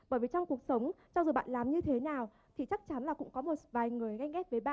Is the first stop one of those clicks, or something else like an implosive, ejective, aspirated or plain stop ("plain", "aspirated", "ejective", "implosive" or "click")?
implosive